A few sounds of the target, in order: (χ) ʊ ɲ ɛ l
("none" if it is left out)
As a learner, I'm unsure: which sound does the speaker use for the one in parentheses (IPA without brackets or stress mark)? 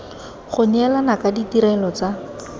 χ